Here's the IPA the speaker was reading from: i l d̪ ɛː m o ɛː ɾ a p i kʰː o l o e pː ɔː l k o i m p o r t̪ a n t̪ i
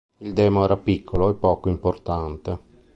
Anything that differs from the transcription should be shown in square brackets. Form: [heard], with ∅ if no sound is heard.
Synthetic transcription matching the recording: i l d̪ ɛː m o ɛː ɾ a p i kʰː o l o e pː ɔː [∅] k o i m p o r t̪ a n t̪ [e]